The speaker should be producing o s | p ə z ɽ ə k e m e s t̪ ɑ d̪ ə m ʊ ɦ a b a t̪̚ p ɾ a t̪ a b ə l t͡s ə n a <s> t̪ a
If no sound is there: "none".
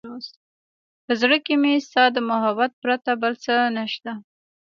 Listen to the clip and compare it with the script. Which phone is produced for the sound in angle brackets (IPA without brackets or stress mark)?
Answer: ʃ